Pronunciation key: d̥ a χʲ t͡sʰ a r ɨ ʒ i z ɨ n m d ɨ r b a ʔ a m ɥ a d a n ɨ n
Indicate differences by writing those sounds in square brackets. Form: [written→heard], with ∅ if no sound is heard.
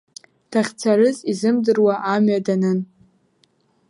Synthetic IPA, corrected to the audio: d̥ a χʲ t͡sʰ a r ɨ [ʒ→z] i z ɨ [n→∅] m d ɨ r [b→w] a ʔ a m ɥ a d a n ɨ n